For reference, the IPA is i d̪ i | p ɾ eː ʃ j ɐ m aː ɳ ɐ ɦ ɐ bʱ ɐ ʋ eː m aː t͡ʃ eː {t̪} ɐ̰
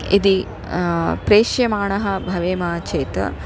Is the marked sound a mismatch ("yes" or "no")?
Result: no